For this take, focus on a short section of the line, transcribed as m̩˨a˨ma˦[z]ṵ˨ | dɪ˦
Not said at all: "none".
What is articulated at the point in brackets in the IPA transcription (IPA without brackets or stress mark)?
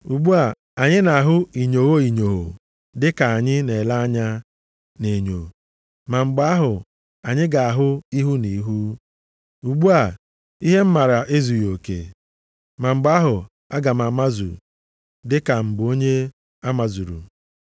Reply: z